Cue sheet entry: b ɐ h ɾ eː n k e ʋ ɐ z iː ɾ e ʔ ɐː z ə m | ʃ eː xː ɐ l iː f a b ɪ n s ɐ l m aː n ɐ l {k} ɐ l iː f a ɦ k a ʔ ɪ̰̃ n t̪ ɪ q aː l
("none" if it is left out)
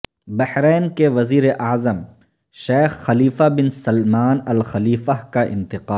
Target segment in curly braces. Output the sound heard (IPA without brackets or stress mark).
x